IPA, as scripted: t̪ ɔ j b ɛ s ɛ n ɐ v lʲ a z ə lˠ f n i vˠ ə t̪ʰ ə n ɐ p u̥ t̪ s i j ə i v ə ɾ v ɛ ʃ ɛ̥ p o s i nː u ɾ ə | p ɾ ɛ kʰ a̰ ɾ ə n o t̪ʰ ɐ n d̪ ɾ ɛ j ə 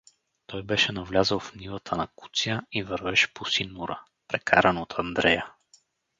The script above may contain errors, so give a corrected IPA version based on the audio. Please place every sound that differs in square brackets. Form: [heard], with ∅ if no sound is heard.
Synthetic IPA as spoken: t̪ ɔ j b ɛ [ʃ] ɛ n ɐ v lʲ a z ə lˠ f n i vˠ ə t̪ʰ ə n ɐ [k] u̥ t̪ s i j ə i v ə ɾ v ɛ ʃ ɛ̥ p o s i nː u ɾ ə | p ɾ ɛ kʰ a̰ ɾ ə n o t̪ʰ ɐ n d̪ ɾ ɛ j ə